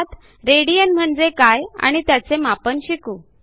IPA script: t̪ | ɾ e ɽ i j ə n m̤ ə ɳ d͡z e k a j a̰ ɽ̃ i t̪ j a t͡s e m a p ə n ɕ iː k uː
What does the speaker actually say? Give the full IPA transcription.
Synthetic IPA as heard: t̪ | ɾ e ɽ i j ə n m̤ ə ɳ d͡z e k a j a̰ ɽ̃ i t̪ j a t͡s e m a p ə n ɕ i k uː